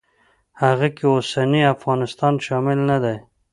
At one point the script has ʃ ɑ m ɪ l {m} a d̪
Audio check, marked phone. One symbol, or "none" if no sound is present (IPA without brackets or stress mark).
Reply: n